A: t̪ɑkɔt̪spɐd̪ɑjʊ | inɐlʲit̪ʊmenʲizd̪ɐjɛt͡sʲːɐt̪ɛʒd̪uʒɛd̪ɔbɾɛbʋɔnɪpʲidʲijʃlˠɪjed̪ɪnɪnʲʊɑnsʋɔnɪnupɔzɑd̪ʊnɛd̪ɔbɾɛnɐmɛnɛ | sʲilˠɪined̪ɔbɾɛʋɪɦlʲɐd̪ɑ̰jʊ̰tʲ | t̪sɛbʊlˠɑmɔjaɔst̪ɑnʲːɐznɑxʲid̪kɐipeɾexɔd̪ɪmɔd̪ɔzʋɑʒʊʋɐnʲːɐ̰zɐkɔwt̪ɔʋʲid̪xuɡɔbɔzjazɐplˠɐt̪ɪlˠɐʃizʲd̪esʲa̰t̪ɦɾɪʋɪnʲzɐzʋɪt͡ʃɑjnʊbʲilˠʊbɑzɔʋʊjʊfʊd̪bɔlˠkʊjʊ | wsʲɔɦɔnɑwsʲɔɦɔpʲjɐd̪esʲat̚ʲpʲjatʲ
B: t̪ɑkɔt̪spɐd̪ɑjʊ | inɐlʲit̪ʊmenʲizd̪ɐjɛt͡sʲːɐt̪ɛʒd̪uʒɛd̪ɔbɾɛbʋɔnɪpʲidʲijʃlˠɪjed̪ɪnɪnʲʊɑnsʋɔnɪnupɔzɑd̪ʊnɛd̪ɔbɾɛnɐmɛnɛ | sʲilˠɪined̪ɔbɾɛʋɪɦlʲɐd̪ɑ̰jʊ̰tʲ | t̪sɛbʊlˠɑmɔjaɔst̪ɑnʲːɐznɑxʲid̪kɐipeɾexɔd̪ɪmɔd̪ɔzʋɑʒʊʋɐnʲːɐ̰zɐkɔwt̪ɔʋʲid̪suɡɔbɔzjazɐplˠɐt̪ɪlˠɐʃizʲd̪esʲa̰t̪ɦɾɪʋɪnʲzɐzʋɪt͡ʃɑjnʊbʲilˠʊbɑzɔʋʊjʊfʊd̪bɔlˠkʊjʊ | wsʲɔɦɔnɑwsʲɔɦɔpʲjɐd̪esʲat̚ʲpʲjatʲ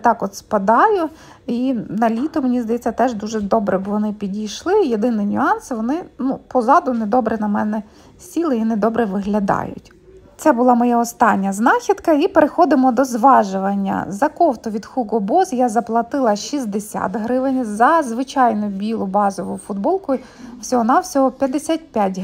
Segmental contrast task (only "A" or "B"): A